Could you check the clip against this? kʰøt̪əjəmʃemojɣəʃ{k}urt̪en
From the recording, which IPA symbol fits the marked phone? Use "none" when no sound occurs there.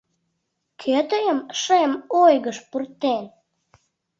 p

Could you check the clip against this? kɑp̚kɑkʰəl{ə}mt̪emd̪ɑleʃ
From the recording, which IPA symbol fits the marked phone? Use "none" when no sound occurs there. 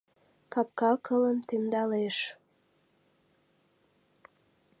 ə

